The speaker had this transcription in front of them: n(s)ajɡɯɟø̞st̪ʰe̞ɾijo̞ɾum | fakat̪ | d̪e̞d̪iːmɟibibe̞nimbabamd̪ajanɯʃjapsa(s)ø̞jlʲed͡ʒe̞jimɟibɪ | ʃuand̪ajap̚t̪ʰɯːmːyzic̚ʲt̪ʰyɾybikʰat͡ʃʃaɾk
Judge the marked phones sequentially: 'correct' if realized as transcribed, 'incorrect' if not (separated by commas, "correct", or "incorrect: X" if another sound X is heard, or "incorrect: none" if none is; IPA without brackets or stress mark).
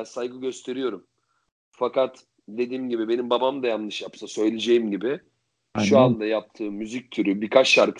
correct, correct